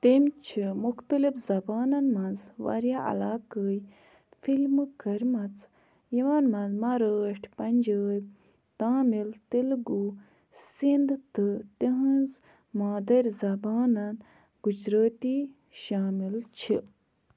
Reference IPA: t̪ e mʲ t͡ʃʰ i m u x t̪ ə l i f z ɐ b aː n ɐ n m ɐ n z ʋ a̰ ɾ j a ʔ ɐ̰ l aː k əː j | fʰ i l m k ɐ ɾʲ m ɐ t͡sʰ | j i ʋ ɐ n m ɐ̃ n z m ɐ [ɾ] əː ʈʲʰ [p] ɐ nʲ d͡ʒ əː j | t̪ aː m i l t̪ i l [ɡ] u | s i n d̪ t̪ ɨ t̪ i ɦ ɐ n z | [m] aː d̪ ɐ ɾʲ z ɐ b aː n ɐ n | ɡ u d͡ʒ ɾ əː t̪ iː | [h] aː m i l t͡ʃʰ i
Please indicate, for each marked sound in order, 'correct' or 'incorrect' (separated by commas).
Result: correct, correct, correct, correct, incorrect